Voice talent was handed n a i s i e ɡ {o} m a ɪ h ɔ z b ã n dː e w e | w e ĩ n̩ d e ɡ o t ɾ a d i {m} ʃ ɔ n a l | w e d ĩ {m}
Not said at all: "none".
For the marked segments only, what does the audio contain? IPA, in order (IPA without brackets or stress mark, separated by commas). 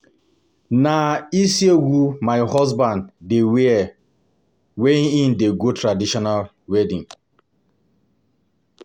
u, none, ŋ